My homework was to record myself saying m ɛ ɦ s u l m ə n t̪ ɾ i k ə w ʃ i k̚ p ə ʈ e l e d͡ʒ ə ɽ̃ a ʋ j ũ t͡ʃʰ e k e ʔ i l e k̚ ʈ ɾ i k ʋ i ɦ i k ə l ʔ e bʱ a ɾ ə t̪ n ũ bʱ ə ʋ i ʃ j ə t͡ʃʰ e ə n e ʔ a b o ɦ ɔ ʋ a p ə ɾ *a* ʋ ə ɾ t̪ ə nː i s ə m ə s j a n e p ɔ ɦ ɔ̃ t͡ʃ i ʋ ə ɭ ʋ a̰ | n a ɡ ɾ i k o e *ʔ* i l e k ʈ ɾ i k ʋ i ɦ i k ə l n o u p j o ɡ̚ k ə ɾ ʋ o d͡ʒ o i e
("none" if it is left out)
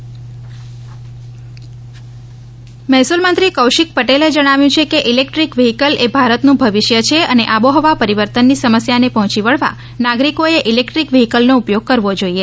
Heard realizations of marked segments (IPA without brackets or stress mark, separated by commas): i, ʔ